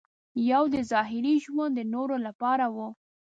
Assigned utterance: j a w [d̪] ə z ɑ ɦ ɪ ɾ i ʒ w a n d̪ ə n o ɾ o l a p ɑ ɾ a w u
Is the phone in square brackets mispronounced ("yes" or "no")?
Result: no